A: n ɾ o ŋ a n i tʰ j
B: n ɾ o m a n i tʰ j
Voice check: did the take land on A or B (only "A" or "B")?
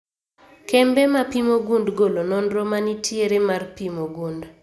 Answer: B